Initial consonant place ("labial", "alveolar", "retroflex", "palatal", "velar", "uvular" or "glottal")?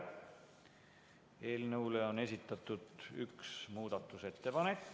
alveolar